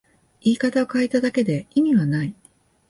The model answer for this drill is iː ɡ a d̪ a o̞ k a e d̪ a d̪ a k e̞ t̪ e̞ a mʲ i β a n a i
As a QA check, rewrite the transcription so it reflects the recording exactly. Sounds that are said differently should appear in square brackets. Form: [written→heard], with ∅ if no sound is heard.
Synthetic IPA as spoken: iː [ɡ→k] a [d̪→t̪] a o̞ k a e [d̪→t̪] a d̪ a k e̞ [t̪→d̪] e̞ [a→i] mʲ i β a n a i